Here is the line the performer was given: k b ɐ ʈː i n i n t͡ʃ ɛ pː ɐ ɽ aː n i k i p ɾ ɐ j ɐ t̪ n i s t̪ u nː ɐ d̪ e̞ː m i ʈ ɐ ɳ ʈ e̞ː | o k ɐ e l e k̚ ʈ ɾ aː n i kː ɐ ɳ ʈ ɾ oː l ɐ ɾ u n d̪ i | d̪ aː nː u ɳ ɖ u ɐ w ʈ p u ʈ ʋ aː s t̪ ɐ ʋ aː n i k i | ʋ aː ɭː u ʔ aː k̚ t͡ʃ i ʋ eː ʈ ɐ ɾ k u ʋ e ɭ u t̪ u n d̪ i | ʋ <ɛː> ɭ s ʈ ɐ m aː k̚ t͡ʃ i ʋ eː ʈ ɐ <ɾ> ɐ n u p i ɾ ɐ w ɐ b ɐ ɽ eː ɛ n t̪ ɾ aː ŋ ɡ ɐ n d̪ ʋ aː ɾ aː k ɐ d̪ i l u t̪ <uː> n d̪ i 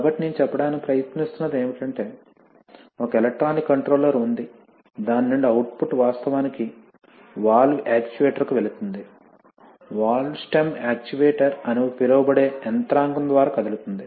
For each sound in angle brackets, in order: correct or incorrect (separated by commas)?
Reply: incorrect, correct, incorrect